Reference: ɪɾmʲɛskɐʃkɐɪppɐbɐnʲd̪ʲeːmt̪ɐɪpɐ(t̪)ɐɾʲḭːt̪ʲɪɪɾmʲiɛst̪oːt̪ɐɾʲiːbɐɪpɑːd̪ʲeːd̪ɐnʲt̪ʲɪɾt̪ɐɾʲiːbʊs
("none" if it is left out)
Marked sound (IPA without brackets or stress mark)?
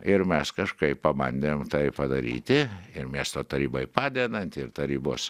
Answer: d̪